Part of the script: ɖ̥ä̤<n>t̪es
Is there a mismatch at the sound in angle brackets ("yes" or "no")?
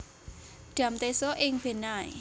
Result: yes